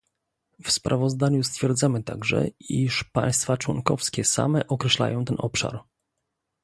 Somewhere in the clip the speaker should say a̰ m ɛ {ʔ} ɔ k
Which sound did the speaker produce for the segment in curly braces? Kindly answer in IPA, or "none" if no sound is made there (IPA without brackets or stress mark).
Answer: ʔ